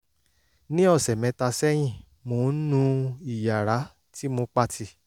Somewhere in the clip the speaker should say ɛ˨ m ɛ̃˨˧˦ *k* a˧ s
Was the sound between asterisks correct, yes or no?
no